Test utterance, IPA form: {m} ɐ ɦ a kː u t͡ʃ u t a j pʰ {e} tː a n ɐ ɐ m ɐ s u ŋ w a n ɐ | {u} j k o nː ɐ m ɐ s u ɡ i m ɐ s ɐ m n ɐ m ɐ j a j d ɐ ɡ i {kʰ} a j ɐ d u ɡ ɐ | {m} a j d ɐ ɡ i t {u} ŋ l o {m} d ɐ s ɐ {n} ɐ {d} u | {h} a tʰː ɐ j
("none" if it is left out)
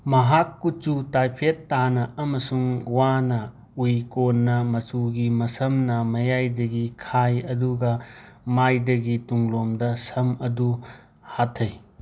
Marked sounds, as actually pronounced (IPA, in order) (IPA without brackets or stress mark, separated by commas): m, e, u, kʰ, m, u, m, m, d, h